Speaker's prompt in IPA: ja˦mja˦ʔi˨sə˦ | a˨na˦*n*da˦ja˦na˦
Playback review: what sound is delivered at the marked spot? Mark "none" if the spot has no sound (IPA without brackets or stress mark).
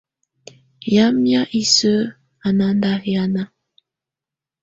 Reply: n